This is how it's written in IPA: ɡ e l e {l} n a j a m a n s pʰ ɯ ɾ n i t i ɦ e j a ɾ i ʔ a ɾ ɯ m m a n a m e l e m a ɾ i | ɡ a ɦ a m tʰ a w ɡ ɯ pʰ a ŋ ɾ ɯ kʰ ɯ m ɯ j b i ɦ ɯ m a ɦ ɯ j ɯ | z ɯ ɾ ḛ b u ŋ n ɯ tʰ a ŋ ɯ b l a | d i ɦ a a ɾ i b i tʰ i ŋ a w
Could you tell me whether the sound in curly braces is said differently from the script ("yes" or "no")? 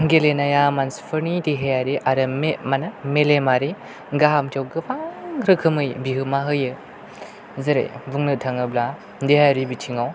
yes